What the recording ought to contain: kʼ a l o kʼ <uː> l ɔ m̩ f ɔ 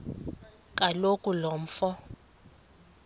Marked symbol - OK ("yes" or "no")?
no